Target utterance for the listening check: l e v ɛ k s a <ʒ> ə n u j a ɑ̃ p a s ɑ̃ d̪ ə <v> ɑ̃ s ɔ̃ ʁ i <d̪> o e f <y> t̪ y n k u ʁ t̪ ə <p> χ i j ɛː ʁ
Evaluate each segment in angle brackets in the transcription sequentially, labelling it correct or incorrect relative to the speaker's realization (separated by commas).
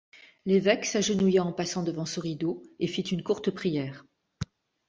correct, correct, correct, incorrect, correct